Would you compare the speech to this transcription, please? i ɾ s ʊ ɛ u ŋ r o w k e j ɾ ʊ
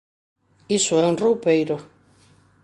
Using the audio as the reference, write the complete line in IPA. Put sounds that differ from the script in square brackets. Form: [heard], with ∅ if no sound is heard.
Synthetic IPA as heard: i [∅] s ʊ ɛ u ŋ r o w [p] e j ɾ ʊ